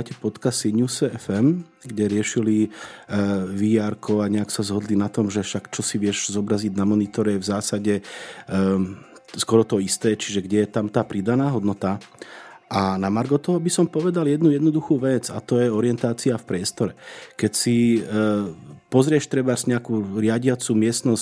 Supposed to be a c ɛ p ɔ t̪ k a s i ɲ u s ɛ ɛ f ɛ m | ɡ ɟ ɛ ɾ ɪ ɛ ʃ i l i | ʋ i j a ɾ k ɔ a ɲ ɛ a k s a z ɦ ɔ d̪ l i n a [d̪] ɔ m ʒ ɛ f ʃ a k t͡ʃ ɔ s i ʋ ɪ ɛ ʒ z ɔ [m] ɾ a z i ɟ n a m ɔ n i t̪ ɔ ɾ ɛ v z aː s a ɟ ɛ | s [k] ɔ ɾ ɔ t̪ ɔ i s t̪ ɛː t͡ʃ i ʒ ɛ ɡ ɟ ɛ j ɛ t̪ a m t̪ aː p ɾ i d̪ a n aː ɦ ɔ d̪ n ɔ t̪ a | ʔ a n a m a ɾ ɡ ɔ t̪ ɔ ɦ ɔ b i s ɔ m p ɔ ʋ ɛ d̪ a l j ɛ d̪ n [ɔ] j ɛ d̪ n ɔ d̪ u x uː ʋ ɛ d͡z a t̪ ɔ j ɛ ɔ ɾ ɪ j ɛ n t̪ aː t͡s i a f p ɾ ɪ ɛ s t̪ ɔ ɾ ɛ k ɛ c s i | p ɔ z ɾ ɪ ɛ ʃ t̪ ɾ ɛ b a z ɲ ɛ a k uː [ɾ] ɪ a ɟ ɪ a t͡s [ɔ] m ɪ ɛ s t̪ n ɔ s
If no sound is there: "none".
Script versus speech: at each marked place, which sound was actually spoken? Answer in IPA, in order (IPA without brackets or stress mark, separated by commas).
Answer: t̪, b, k, u, ɾ, u